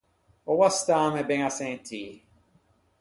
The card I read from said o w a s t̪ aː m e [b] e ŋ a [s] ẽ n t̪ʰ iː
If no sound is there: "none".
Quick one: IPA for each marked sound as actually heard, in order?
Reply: b, s

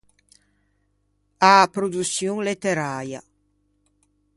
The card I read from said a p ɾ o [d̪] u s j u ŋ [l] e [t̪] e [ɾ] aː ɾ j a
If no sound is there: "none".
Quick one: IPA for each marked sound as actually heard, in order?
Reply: d̪, l, t̪, ɾ

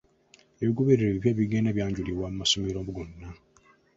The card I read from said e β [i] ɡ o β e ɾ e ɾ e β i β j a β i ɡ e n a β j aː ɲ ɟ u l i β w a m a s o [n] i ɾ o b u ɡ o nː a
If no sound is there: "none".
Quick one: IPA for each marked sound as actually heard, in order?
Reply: i, m

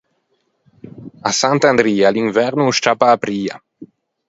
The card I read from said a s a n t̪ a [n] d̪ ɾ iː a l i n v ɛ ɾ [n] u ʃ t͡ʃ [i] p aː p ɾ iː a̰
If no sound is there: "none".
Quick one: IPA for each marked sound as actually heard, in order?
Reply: n, n, a

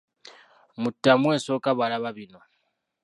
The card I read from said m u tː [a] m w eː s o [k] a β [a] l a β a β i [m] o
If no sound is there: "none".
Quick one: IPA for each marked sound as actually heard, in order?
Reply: a, k, a, n

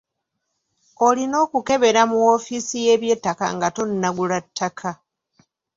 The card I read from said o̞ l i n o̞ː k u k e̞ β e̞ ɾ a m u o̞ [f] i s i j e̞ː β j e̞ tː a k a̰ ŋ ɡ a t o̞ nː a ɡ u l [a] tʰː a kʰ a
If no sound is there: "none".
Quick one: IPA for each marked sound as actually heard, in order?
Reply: f, a

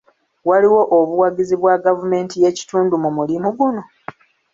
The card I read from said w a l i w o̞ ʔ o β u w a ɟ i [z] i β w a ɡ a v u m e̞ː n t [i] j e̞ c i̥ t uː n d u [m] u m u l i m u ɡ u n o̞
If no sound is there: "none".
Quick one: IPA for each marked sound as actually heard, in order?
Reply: z, i, m

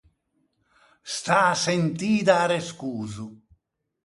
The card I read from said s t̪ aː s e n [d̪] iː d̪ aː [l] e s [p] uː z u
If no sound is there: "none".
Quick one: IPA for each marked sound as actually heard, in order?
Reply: t̪, ɾ, k

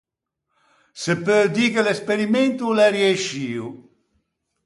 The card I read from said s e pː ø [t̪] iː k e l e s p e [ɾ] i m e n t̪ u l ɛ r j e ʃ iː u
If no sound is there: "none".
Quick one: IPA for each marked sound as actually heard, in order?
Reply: d̪, ɾ

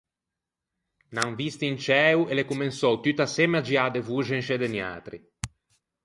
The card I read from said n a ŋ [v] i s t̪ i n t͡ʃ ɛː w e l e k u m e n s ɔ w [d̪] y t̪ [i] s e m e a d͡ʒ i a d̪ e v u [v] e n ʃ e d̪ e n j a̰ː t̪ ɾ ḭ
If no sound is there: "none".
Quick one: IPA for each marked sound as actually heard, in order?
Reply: v, t̪, a, ʒ

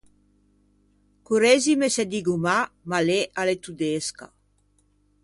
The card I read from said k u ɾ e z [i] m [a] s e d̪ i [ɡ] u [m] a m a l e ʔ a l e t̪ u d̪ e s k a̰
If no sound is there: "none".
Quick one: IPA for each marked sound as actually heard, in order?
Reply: i, e, ɡ, m

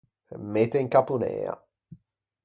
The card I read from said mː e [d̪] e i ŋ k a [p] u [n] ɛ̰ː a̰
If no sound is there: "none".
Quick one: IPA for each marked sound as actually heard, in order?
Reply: t̪, p, n

